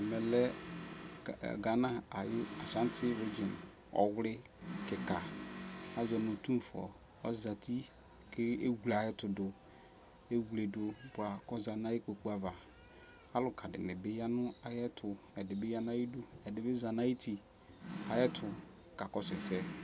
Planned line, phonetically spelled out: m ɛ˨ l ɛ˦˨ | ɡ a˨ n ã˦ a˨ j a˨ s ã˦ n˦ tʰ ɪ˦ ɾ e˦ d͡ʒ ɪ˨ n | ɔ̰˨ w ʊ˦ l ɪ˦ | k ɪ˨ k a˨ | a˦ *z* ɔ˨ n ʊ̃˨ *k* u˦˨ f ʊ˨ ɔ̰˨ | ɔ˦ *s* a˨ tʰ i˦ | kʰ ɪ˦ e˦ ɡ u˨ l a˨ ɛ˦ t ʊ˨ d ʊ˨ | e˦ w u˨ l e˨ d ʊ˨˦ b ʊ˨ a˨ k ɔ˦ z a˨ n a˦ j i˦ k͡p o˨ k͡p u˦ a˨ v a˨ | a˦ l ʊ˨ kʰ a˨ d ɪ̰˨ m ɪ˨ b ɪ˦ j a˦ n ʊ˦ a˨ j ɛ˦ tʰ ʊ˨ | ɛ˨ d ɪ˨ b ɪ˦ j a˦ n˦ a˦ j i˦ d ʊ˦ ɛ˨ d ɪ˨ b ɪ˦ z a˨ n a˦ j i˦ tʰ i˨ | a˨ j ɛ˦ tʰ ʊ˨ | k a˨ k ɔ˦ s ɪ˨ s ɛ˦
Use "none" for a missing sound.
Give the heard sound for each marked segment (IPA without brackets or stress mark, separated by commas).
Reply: z, t, z